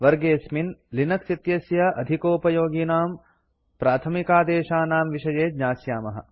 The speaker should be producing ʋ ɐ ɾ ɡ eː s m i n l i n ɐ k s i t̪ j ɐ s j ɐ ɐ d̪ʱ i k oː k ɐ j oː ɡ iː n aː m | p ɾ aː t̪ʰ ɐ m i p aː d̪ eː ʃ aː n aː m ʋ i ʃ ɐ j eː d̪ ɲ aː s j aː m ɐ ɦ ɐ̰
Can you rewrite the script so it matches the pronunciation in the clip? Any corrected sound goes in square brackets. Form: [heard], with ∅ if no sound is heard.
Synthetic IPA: ʋ ɐ ɾ ɡ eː s m i n l i n ɐ k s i t̪ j ɐ s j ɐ ɐ d̪ʱ i k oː [p] ɐ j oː ɡ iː n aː m | p ɾ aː t̪ʰ ɐ m i [k] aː d̪ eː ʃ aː n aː m ʋ i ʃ ɐ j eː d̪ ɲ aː s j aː m ɐ ɦ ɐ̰